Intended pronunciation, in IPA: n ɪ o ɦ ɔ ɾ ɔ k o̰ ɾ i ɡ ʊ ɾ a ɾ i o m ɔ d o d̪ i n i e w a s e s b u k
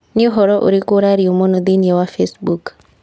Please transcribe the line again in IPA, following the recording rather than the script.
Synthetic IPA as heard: n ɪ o ɦ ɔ ɾ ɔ ʔ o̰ ɾ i k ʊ ɾ a ɾ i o m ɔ n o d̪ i n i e w a f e s b u k